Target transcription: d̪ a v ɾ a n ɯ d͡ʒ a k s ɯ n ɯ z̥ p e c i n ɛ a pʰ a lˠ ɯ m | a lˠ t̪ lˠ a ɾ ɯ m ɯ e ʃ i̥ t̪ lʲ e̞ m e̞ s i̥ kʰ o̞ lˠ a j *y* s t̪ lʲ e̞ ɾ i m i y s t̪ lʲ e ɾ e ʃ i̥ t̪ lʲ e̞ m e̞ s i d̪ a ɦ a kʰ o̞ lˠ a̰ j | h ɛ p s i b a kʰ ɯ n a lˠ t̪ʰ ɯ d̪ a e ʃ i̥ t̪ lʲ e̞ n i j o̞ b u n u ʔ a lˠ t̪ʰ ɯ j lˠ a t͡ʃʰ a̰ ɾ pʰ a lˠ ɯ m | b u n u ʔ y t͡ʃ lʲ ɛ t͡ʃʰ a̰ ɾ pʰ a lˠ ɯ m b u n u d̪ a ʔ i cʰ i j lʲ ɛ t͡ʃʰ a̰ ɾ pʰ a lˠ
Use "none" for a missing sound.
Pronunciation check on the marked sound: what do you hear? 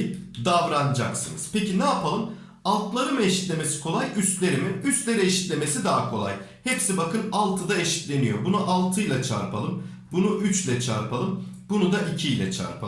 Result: y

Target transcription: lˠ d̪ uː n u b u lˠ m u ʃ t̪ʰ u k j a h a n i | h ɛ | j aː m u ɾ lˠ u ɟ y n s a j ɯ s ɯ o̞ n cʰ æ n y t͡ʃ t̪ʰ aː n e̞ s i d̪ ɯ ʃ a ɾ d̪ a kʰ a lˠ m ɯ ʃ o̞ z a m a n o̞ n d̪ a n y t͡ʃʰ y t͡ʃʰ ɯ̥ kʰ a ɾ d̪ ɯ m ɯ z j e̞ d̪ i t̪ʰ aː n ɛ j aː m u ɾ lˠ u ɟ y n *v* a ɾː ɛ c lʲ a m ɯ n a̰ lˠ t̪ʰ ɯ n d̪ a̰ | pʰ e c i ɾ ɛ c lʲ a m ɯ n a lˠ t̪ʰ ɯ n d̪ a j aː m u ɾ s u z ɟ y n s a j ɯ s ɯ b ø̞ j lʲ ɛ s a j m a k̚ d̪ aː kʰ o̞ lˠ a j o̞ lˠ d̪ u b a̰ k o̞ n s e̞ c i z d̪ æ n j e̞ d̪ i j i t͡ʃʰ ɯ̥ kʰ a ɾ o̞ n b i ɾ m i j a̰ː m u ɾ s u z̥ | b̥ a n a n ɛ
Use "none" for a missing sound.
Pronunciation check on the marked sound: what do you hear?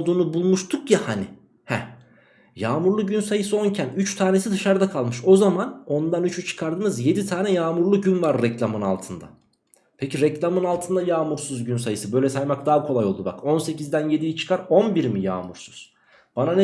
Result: v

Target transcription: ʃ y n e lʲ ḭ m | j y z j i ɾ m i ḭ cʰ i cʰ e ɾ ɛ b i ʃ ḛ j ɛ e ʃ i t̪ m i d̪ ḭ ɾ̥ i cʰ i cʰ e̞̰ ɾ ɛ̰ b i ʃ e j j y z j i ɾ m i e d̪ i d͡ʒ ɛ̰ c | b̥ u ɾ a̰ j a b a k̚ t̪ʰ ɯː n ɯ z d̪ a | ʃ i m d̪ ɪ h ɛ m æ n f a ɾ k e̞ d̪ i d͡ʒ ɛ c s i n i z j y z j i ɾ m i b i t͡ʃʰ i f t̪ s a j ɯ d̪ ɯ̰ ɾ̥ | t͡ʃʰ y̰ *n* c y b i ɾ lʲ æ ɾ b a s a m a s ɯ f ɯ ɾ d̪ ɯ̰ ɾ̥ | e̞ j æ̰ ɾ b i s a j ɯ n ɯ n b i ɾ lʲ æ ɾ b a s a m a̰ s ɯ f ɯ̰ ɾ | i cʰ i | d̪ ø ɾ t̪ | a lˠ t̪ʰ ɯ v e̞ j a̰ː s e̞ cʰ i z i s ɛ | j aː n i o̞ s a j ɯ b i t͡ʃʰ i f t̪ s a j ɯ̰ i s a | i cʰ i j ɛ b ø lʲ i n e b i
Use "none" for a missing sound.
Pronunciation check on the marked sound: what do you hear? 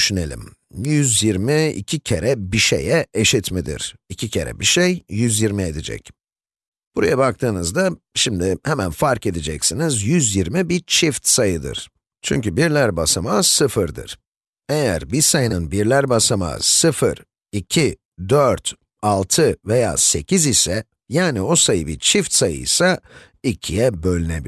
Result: ɲ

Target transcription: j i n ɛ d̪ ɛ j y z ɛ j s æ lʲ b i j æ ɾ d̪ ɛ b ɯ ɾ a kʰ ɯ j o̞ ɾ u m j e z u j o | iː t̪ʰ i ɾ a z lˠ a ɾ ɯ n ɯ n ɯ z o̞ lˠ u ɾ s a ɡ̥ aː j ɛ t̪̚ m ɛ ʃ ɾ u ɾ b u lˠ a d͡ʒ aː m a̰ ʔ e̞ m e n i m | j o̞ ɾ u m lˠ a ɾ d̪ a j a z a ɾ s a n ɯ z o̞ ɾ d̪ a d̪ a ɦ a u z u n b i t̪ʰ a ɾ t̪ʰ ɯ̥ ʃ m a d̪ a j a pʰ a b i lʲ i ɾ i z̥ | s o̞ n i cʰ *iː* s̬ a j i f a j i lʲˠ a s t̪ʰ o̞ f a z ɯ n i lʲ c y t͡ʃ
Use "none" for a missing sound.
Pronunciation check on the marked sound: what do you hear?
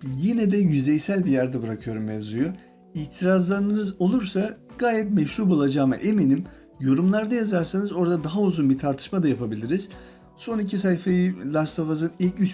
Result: i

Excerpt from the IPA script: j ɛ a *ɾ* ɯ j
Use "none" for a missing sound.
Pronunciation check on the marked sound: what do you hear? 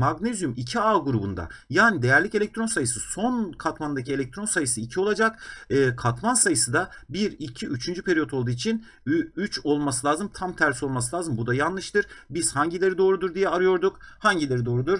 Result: ɾ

